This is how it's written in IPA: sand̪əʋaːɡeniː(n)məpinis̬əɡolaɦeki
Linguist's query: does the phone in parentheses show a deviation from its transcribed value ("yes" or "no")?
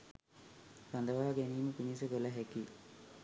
yes